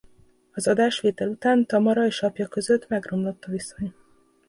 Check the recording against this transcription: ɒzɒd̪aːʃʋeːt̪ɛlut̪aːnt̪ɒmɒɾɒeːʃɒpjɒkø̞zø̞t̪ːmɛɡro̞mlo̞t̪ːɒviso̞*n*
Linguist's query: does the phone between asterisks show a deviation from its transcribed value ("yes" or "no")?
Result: yes